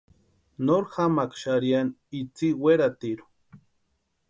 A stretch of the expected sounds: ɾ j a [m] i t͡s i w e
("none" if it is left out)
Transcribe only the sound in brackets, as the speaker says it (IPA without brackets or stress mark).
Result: n